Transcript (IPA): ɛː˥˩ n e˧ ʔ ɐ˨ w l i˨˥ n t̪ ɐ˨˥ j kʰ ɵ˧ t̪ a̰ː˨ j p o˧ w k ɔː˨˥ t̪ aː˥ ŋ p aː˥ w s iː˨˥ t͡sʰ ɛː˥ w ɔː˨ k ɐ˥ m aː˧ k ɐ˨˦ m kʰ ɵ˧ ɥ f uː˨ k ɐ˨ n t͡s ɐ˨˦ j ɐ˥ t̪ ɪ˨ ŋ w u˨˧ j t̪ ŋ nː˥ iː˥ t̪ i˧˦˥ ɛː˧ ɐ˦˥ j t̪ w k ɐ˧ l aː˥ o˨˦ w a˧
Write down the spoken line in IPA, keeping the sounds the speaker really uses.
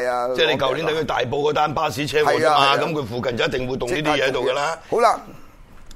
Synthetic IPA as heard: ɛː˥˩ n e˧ k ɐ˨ w l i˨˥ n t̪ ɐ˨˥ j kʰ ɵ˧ t̪ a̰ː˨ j p o˧ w k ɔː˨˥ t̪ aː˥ n p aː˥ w s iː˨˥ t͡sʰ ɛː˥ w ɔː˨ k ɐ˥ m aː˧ k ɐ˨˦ m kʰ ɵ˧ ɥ f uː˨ k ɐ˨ n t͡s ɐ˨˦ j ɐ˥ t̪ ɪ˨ ŋ w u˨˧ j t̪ ŋ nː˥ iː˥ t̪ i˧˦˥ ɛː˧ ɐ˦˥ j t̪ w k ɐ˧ l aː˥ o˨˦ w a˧